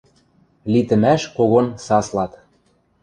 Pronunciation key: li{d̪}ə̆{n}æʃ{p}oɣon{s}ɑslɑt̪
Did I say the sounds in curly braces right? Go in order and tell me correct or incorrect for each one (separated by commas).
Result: incorrect, incorrect, incorrect, correct